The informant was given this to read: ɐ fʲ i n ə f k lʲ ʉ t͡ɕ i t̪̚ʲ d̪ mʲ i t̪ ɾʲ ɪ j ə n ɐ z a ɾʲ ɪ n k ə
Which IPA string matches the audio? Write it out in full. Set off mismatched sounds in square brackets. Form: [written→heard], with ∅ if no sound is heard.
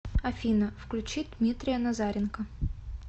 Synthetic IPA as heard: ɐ fʲ i n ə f k lʲ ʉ t͡ɕ i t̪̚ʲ d̪ mʲ i t̪ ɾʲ ɪ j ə n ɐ z a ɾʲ ɪ n k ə